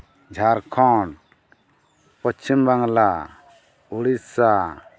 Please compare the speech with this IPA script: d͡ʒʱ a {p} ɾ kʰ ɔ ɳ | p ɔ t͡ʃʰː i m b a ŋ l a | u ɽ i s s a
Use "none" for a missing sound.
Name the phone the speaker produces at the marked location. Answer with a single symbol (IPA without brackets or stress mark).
none